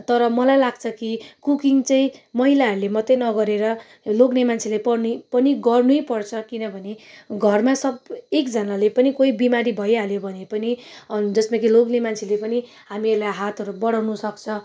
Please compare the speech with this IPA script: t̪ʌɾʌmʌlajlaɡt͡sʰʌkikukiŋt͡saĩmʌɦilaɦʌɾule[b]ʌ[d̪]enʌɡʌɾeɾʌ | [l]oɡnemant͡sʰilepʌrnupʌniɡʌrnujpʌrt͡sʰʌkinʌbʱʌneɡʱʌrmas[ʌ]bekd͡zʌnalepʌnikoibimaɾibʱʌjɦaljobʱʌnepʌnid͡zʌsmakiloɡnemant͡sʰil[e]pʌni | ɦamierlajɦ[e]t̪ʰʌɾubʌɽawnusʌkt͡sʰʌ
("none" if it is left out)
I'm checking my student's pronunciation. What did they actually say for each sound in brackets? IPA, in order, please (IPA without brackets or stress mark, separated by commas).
m, t̪, l, ʌ, e, a